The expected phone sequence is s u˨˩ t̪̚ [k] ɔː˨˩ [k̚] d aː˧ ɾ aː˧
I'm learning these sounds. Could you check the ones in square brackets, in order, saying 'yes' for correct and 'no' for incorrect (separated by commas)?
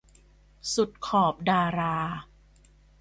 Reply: no, no